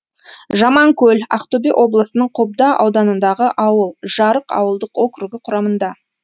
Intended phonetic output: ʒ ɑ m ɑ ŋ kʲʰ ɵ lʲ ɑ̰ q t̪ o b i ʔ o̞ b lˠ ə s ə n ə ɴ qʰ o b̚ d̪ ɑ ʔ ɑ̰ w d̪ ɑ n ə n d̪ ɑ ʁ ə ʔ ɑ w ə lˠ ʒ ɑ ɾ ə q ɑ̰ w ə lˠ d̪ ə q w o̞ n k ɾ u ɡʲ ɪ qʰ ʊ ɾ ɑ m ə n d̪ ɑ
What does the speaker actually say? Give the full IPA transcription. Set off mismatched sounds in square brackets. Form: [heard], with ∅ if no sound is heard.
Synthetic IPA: ʒ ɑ m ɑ ŋ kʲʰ ɵ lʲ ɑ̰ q t̪ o b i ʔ o̞ b lˠ ə s ə n ə ɴ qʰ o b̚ d̪ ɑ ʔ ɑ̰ w d̪ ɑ n ə n d̪ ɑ ʁ ə ʔ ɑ w ə lˠ ʒ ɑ ɾ ə q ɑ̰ w ə lˠ d̪ ə q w o̞ [∅] k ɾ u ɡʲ ɪ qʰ ʊ ɾ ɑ m ə n d̪ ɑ